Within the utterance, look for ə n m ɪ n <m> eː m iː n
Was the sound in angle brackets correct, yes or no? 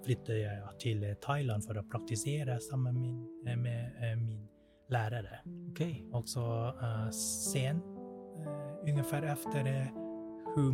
yes